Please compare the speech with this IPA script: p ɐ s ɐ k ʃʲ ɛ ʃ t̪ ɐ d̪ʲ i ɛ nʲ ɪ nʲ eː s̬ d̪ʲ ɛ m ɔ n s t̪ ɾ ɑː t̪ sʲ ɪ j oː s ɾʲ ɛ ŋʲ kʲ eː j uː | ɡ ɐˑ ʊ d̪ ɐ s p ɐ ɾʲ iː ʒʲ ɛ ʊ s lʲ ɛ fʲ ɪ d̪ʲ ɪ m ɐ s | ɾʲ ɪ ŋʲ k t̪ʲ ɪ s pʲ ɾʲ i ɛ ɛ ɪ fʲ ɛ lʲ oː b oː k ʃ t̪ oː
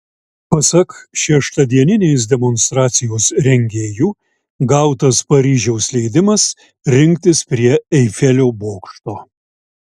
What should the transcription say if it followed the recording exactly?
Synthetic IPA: p ɐ s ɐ k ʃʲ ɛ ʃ t̪ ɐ d̪ʲ i ɛ nʲ ɪ nʲ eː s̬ d̪ʲ ɛ m ɔ n s t̪ ɾ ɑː t̪ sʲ ɪ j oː s ɾʲ ɛ ŋʲ ɡʲ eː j uː | ɡ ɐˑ ʊ t̪ ɐ s p ɐ ɾʲ iː ʒʲ ɛ ʊ s lʲ ɛ ɪ d̪ʲ ɪ m ɐ s | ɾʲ ɪ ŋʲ k t̪ʲ ɪ s pʲ ɾʲ i ɛ ɛ ɪ fʲ ɛ lʲ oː b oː k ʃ t̪ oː